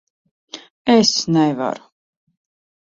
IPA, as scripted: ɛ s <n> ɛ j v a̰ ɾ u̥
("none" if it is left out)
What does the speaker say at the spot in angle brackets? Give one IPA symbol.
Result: n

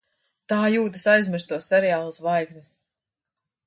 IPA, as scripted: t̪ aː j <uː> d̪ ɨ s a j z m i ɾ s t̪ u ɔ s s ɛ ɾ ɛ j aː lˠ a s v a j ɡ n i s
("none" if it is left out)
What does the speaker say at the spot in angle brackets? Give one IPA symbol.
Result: uː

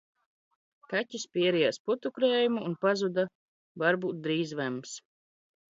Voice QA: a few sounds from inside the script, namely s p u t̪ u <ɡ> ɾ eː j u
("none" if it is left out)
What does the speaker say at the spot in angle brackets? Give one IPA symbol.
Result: k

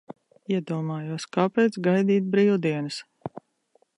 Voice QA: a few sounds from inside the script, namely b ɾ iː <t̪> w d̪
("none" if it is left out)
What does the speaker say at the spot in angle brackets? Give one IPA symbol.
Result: none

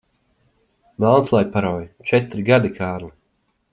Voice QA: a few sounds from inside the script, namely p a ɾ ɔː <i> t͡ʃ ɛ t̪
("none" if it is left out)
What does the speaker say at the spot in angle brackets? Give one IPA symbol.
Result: j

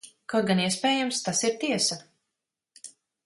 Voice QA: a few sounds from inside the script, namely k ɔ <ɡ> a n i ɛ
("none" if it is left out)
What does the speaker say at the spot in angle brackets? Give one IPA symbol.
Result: ɡ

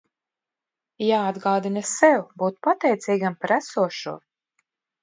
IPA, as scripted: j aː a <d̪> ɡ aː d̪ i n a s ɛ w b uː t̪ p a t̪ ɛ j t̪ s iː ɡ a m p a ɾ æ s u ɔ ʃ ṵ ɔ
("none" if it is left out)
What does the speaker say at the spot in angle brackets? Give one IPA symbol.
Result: d̪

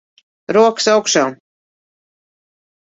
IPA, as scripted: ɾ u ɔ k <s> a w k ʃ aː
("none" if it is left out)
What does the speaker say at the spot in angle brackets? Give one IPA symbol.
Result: s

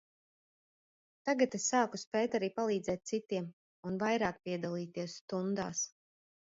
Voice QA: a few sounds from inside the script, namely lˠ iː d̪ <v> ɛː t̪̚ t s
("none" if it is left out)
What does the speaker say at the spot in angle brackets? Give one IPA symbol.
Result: z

